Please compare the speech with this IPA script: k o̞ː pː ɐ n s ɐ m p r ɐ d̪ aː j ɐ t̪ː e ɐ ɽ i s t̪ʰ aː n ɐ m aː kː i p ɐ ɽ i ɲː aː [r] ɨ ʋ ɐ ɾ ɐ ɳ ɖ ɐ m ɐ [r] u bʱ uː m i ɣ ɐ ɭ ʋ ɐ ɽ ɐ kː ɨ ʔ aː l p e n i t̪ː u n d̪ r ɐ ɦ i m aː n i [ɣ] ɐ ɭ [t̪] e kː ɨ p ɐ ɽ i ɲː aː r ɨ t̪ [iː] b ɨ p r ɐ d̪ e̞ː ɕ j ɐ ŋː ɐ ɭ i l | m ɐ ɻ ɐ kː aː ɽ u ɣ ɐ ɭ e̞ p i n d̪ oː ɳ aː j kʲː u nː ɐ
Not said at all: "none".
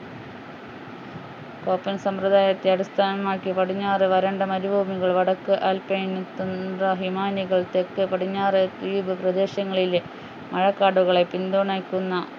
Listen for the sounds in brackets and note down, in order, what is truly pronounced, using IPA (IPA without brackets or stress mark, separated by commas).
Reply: r, ɾ, ɣ, t̪, iː